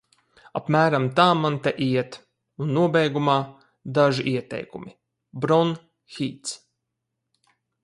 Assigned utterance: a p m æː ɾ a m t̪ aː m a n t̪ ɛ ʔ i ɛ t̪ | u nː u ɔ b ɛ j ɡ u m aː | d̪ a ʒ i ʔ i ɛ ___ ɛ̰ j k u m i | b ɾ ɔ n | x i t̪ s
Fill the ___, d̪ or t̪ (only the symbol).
t̪